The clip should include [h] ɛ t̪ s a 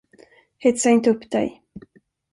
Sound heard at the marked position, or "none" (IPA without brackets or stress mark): h